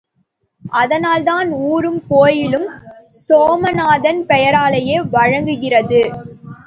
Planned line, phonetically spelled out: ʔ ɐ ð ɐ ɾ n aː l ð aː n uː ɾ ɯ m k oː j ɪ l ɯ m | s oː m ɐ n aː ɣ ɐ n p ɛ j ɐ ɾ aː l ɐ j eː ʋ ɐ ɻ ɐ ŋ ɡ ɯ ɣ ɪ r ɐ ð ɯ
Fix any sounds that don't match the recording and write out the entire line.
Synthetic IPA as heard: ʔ ɐ ð ɐ n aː l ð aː n uː ɾ ɯ m k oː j ɪ l ɯ m | s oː m ɐ n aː ð ɐ n p ɛ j ɐ ɾ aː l ɐ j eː ʋ ɐ ɻ ɐ ŋ ɡ ɯ ɣ ɪ r ɐ ð ɯ